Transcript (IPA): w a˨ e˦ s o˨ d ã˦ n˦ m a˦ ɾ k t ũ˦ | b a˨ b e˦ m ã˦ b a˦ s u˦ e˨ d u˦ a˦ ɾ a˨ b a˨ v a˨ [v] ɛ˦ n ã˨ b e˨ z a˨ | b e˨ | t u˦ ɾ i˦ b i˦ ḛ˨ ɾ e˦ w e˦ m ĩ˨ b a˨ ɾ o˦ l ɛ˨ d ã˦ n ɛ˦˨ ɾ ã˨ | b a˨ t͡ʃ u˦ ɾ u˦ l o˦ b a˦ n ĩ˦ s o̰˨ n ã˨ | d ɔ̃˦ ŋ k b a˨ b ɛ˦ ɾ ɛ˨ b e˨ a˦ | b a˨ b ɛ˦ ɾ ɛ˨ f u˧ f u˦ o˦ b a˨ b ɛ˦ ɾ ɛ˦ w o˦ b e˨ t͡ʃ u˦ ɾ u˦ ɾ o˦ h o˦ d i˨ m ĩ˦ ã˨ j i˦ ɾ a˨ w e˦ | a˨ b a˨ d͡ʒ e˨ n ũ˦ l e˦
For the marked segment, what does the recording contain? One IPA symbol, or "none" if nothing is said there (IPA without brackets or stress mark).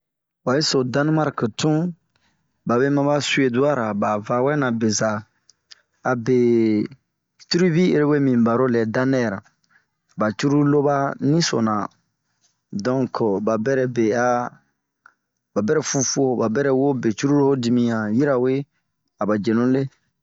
w